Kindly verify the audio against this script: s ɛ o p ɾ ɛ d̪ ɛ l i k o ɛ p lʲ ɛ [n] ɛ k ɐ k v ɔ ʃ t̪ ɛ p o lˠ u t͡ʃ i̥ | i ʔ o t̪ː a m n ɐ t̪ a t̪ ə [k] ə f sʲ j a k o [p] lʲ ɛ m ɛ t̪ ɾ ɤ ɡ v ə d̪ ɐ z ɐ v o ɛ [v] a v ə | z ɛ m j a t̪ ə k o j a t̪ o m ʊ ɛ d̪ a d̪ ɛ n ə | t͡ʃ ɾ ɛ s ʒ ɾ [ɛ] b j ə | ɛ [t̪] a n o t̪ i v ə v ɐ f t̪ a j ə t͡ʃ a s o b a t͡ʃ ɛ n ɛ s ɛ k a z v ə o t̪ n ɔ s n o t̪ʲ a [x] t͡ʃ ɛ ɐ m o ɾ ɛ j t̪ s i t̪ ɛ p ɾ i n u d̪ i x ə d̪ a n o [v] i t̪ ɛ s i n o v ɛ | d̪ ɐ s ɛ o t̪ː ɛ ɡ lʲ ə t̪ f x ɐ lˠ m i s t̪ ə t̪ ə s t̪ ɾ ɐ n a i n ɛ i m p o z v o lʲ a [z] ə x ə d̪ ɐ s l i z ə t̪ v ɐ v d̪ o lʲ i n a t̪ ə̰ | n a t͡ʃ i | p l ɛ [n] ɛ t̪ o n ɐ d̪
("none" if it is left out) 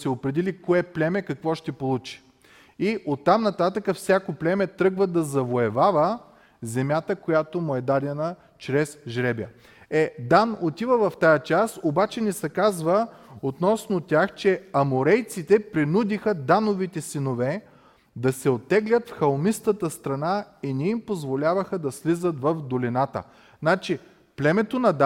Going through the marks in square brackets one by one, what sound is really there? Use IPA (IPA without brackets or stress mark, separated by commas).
m, k, p, v, ɛ, d̪, x, v, v, m